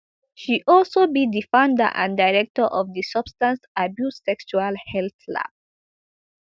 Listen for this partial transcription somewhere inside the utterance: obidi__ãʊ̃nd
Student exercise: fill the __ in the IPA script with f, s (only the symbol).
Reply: f